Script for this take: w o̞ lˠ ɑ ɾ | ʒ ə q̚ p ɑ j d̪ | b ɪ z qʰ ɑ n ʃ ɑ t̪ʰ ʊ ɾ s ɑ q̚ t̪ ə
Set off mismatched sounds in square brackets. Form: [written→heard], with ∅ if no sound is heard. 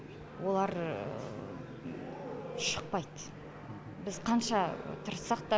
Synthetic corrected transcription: w o̞ lˠ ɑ ɾ | [ʒ→ʃ] ə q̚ p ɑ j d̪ | b ɪ z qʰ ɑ n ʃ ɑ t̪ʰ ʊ ɾ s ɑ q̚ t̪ [ə→ɑ]

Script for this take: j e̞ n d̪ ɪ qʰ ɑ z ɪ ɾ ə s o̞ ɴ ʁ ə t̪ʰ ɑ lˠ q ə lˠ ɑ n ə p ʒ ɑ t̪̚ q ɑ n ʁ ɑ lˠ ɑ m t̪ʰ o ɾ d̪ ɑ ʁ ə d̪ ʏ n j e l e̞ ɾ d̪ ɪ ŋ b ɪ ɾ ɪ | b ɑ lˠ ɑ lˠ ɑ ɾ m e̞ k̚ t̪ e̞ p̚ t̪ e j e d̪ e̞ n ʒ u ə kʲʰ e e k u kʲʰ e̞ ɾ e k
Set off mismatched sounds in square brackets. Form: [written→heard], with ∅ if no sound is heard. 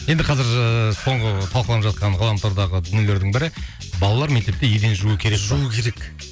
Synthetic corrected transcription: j e̞ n d̪ ɪ qʰ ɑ z ɪ ɾ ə s o̞ ɴ ʁ ə t̪ʰ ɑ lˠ q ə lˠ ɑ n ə p ʒ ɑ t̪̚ q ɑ n ʁ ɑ lˠ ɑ m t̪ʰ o ɾ d̪ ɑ ʁ ə d̪ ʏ n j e l e̞ ɾ d̪ ɪ ŋ b ɪ ɾ ɪ | b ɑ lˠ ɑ lˠ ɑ ɾ m e̞ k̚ t̪ e̞ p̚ t̪ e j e d̪ e̞ n ʒ u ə kʲʰ e e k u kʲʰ e̞ ɾ e k

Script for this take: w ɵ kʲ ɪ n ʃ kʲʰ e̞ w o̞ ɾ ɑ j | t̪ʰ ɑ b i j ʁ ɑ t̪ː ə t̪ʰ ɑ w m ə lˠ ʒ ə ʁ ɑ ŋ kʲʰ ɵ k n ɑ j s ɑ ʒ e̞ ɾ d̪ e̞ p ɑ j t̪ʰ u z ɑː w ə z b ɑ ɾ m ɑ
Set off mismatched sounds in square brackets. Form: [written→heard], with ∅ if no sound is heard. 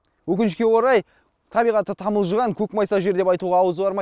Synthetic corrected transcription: w ɵ kʲ ɪ n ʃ [kʲʰ→kʲ] e̞ w o̞ ɾ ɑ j | t̪ʰ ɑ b i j ʁ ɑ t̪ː ə t̪ʰ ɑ [w→∅] m ə lˠ ʒ ə ʁ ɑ ŋ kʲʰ ɵ k [n→m] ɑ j s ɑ ʒ e̞ ɾ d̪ e̞ p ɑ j [t̪ʰ→t̪] u [z→ʁ] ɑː w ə z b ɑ ɾ m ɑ

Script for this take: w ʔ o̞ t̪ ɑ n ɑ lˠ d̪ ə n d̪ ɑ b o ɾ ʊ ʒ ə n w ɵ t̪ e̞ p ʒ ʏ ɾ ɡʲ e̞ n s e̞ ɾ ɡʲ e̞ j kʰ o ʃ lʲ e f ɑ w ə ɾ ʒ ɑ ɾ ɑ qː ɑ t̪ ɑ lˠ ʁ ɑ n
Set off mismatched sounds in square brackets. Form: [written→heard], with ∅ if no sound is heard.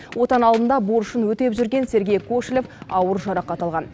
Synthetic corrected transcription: w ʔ o̞ t̪ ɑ n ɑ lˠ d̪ ə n d̪ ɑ b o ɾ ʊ [ʒ→ʃ] ə n w ɵ t̪ e̞ p ʒ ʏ ɾ ɡʲ e̞ n s e̞ ɾ ɡʲ e̞ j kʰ o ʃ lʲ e f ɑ w ə ɾ ʒ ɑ ɾ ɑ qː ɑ t̪ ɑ lˠ ʁ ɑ n

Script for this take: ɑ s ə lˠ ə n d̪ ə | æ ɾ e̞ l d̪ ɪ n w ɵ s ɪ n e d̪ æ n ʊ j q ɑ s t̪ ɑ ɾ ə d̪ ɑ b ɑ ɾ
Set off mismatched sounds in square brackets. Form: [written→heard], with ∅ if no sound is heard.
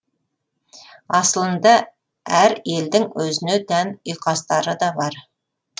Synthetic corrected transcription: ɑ s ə lˠ ə n d̪ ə | æ ɾ e̞ l d̪ ɪ [n→ŋ] w ɵ [s→z] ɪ n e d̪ æ n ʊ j q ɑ s t̪ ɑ ɾ ə d̪ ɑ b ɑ ɾ

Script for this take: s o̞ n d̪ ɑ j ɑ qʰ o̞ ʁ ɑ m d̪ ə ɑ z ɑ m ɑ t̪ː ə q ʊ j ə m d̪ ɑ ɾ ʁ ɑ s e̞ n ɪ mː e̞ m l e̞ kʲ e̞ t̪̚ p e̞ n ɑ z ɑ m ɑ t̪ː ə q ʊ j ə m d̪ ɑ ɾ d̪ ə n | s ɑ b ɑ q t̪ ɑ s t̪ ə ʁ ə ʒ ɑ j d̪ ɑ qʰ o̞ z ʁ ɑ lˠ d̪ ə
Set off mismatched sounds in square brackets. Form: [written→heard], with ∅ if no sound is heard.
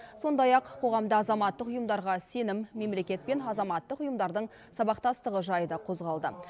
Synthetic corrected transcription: s o̞ n d̪ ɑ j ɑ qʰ o̞ ʁ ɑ m d̪ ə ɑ z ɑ m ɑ t̪ː ə q ʊ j ə m d̪ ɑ ɾ ʁ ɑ s e̞ n ɪ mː e̞ m l e̞ kʲ e̞ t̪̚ p e̞ n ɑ z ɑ m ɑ t̪ː ə q ʊ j ə m d̪ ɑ ɾ d̪ ə [n→ɴ] | s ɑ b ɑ q t̪ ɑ s t̪ ə ʁ ə ʒ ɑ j d̪ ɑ qʰ o̞ z ʁ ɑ lˠ d̪ ə

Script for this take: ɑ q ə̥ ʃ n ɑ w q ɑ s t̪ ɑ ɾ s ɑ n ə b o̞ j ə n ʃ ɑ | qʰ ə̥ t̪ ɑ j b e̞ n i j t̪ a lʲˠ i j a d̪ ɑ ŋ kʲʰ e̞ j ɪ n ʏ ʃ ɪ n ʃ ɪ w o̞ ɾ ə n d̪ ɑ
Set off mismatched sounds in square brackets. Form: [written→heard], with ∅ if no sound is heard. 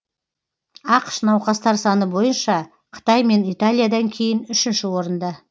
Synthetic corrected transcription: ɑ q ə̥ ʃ n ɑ w q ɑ s t̪ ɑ ɾ s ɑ n ə b o̞ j ə n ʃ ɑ | qʰ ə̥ t̪ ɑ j [b→m] e̞ n i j t̪ a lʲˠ i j a d̪ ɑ ŋ kʲʰ e̞ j ɪ n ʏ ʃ ɪ n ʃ ɪ w o̞ ɾ ə n d̪ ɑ

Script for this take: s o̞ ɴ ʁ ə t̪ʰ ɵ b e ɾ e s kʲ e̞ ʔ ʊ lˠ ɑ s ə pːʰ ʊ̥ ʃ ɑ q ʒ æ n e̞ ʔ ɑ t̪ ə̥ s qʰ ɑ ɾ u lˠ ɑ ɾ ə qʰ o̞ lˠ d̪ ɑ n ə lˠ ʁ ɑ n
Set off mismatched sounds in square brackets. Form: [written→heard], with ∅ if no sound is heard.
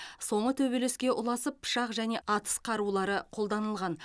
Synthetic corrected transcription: s o̞ ɴ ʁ ə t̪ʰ ɵ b e [ɾ→l] e s kʲ e̞ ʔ ʊ lˠ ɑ s ə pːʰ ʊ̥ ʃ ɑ q ʒ æ n e̞ ʔ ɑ t̪ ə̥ s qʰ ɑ ɾ u lˠ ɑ ɾ ə qʰ o̞ lˠ d̪ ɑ n ə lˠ ʁ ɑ n

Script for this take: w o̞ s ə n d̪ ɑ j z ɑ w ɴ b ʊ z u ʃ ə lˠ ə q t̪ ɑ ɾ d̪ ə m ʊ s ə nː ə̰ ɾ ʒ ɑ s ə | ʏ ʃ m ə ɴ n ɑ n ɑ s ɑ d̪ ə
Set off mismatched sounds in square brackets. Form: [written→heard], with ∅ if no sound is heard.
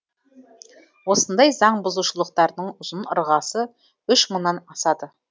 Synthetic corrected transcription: w o̞ s ə n d̪ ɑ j z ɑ [w→∅] ɴ b ʊ z u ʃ ə lˠ ə q t̪ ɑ ɾ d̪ ə [m→ɴ] ʊ [s→z] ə [nː→n] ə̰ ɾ [ʒ→ʁ] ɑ s ə | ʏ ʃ m ə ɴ n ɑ n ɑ s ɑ d̪ ə

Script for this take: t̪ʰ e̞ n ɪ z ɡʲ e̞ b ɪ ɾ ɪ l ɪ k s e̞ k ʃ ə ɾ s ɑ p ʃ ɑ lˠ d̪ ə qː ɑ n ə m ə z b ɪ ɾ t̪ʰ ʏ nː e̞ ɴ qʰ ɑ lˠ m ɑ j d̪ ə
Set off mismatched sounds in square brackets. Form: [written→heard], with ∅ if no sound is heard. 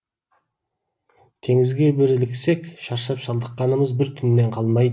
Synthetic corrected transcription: t̪ʰ e̞ [n→ŋ] ɪ z ɡʲ e̞ b ɪ ɾ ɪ l ɪ k s e̞ k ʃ [ə→ɑ] ɾ [s→ʃ] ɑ p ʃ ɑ lˠ d̪ ə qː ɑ n ə m ə z b ɪ ɾ t̪ʰ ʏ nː e̞ ɴ qʰ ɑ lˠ m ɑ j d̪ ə

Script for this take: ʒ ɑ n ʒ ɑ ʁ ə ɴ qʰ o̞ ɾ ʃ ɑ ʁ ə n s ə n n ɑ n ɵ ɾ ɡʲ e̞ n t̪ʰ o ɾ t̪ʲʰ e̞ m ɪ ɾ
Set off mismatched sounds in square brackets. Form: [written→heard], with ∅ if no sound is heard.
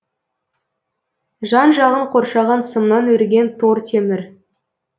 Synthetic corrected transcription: ʒ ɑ n ʒ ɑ ʁ ə ɴ qʰ o̞ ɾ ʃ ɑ ʁ [ə→ɑ] n s ə [n→m] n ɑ n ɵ ɾ ɡʲ e̞ n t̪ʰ o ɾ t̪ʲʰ e̞ m ɪ ɾ

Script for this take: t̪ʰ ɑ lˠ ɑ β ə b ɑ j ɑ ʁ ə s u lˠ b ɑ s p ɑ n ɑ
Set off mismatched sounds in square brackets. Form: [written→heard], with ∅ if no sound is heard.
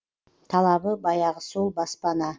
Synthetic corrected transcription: t̪ʰ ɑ lˠ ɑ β ə b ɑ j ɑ ʁ ə s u lˠ b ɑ s p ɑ n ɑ

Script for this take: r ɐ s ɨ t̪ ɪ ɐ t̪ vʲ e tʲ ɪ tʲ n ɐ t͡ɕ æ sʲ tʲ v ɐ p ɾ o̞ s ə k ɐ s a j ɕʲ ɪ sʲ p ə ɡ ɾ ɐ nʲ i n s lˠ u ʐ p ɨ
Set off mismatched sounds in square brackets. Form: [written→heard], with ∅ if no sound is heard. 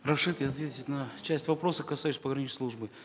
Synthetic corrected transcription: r ɐ [s→ʂ] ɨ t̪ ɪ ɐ t̪ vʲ e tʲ ɪ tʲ n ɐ t͡ɕ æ sʲ tʲ v ɐ p ɾ o̞ s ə k ɐ s a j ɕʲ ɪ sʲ p ə ɡ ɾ ɐ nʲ i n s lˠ u ʐ [p→b] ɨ

